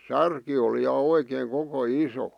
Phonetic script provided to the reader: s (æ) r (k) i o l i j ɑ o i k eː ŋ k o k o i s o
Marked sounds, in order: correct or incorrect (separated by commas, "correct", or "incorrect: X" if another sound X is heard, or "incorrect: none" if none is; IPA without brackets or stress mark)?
correct, correct